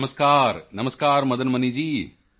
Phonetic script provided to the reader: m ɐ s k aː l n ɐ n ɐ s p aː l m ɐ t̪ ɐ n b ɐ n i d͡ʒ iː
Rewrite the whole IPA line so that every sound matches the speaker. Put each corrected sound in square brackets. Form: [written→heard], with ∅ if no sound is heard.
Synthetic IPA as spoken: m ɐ s k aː [l→ɾ] n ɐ [n→m] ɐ s [p→k] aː [l→ɾ] m ɐ [t̪→d̪] ɐ n [b→m] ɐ n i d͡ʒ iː